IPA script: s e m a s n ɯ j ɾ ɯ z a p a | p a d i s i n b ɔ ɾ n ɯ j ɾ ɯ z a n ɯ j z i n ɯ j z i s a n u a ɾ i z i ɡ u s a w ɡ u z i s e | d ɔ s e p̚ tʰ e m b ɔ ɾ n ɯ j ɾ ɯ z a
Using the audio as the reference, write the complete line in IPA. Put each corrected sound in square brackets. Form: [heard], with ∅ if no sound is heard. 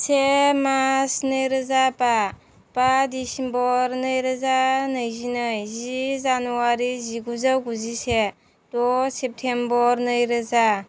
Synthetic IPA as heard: s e m a s n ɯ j ɾ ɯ z a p a | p a d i s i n b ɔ ɾ n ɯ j ɾ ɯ z a n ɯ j z i n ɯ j z i [z] a n u a ɾ i z i ɡ u [z] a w ɡ u z i s e | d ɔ s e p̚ tʰ e m b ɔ ɾ n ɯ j ɾ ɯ z a